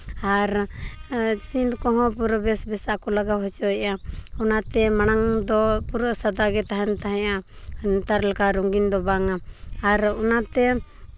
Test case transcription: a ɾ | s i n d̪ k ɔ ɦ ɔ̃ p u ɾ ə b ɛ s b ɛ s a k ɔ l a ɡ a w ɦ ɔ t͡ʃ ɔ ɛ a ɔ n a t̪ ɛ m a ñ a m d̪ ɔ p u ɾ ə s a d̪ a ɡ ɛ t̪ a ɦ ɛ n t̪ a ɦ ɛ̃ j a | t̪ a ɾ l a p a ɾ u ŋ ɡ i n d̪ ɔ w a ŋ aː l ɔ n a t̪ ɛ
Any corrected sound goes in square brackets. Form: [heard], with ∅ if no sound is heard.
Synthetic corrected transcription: a ɾ | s i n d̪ k ɔ ɦ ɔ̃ p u ɾ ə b ɛ s b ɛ s a k ɔ l a ɡ a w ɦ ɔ t͡ʃ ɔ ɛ a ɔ n a t̪ ɛ m a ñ a [ŋ] d̪ ɔ p u ɾ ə s a d̪ a ɡ ɛ t̪ a ɦ ɛ n t̪ a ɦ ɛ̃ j a | t̪ a ɾ l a [k] a ɾ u ŋ ɡ i n d̪ ɔ [b] a ŋ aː [ɾ] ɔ n a t̪ ɛ